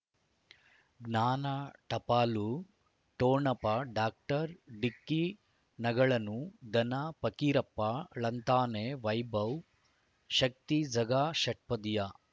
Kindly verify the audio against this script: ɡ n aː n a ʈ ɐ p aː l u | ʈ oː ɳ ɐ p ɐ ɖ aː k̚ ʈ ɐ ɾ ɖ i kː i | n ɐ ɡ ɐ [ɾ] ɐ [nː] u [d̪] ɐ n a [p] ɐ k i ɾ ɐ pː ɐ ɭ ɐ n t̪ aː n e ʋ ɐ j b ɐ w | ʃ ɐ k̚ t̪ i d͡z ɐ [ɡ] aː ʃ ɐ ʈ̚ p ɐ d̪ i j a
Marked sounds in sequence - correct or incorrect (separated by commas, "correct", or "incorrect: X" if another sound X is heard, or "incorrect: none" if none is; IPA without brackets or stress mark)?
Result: incorrect: ɭ, incorrect: n, correct, correct, correct